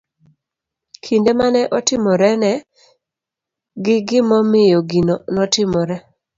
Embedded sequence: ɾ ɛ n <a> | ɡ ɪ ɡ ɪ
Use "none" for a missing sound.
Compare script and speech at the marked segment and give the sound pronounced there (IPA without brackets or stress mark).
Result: ɛ